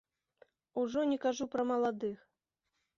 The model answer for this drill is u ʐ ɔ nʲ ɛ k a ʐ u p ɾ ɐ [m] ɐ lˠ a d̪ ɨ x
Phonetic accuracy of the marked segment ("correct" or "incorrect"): correct